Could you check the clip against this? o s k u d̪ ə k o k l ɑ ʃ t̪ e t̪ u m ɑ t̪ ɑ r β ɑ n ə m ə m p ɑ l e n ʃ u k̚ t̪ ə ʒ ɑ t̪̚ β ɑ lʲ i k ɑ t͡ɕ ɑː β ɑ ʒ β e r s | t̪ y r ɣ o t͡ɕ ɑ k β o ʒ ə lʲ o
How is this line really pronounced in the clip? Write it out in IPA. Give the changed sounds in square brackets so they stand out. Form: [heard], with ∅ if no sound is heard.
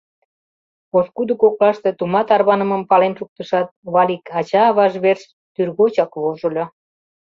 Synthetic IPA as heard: o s k u d̪ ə k o k l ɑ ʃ t̪ e t̪ u m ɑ t̪ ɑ r β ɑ n ə m ə m p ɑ l e n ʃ u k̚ t̪ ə [ʃ] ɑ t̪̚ β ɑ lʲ i k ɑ t͡ɕ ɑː β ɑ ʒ β e r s | t̪ y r ɣ o t͡ɕ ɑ k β o ʒ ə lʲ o